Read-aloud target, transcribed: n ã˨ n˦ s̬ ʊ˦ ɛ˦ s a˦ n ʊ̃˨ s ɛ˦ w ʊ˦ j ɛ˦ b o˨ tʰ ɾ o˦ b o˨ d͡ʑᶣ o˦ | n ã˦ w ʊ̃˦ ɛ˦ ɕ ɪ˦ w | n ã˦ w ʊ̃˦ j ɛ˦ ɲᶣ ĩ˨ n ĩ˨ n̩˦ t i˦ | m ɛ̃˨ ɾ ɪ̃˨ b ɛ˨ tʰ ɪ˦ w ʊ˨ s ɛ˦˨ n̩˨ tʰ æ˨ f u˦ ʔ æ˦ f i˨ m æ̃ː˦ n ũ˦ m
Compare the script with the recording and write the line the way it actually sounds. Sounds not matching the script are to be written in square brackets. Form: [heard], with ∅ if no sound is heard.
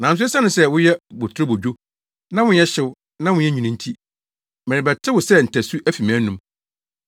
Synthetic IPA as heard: n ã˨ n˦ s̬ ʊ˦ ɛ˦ s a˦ n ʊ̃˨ s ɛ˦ w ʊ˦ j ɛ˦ b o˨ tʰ ɾ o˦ b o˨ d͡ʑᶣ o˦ | n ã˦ w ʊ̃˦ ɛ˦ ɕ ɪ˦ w | n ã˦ w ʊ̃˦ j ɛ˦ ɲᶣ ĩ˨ n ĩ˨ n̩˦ [tʰ] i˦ | m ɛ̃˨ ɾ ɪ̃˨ b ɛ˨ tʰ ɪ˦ w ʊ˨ s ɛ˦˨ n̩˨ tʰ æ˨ [s] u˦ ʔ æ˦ f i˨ m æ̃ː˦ n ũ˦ m